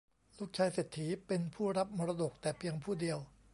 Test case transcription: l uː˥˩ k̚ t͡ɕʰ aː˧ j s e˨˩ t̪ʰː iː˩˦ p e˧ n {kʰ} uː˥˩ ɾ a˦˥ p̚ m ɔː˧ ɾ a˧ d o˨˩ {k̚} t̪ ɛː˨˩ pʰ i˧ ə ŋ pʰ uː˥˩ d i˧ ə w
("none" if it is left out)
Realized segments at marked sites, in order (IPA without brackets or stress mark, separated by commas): pʰ, k̚